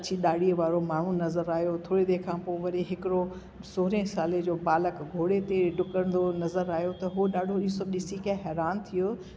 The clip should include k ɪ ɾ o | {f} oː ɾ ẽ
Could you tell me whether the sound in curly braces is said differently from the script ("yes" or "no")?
yes